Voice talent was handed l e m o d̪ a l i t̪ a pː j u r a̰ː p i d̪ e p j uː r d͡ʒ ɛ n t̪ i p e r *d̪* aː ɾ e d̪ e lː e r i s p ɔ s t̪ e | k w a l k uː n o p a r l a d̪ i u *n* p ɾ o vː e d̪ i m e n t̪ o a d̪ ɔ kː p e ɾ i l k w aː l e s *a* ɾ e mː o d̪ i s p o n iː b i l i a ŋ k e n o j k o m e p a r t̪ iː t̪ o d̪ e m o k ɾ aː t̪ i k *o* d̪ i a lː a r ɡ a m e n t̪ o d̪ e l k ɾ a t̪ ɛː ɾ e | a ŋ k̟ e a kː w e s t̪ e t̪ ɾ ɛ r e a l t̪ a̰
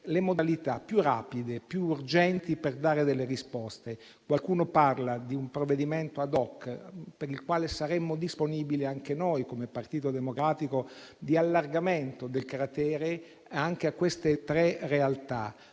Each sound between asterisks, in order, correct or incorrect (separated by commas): correct, incorrect, correct, correct